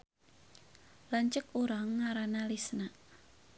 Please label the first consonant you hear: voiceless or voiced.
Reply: voiced